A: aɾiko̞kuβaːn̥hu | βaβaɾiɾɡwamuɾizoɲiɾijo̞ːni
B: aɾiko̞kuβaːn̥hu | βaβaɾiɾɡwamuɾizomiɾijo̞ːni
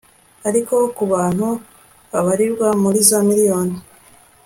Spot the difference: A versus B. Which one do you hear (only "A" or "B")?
B